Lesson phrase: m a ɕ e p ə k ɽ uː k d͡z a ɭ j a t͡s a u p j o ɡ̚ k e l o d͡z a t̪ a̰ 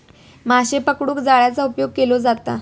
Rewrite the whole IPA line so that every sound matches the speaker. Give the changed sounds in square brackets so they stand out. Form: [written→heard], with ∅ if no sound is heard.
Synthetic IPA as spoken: m a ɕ e p ə k ɽ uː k d͡z a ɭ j a t͡s a u p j o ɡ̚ k e l o d͡z a t̪ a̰